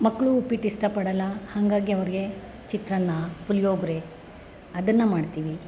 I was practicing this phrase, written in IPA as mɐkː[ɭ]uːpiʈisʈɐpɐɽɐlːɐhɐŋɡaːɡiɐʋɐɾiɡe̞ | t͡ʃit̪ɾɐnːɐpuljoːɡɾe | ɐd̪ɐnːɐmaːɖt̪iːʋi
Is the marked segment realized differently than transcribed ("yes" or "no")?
no